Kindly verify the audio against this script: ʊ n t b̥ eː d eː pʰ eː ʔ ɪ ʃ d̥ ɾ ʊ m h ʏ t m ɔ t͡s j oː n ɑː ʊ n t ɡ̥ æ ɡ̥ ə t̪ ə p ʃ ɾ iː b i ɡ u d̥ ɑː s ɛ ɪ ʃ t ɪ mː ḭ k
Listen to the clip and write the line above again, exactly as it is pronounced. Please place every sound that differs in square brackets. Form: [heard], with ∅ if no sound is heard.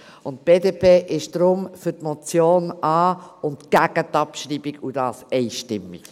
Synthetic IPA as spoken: ʊ n t b̥ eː d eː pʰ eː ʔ ɪ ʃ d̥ ɾ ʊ m [f] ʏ t m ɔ t͡s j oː n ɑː ʊ n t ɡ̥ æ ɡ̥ ə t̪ [ɑ] p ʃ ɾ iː b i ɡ u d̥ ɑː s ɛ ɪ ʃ t ɪ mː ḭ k